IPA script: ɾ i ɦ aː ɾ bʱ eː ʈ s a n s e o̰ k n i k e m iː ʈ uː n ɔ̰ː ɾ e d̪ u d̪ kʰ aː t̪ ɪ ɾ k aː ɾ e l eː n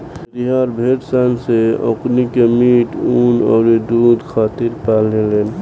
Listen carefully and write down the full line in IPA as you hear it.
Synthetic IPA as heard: ɾ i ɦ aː ɾ bʱ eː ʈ s a n s e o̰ k n i k e m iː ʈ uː n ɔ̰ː ɾ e d̪ u d̪ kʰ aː t̪ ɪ ɾ p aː l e l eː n